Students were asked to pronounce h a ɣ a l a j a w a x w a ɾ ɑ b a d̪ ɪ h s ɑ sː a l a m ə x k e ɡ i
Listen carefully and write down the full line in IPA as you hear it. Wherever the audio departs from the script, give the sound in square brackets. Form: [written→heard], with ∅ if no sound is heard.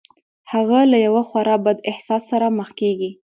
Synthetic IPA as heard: h a ɣ a l a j a w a x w a ɾ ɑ b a d̪ ɪ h s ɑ sː a [l→ɾ] a m ə x k e ɡ i